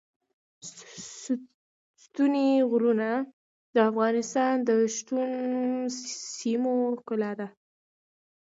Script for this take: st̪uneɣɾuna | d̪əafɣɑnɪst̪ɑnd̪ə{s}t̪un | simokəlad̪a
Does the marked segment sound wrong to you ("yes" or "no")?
yes